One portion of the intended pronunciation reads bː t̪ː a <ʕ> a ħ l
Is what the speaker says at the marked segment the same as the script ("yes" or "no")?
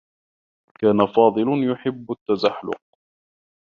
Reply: no